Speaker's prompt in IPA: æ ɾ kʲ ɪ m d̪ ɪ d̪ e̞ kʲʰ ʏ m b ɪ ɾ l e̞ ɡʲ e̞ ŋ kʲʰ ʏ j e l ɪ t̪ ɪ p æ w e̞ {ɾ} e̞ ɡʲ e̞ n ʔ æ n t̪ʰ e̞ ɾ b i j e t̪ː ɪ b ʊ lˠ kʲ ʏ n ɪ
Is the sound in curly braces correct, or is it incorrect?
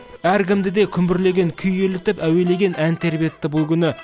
incorrect